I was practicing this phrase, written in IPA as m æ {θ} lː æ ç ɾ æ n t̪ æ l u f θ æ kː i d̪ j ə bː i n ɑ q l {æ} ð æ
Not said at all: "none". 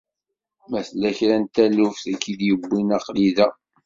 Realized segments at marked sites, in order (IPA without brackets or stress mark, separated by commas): θ, i